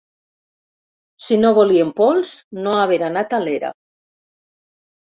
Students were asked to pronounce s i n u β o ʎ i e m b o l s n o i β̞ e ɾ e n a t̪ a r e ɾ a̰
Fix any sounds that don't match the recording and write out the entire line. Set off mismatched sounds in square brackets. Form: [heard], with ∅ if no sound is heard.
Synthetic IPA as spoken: s i n [o] β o [l] i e m [p] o l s n o [a] β̞ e ɾ [a] n a t̪ a [l] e ɾ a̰